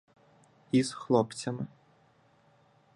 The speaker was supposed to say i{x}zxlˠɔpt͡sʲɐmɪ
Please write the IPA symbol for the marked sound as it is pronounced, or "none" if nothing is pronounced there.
none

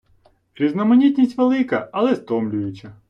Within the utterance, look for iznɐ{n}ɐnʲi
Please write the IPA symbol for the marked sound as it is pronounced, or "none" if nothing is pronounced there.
m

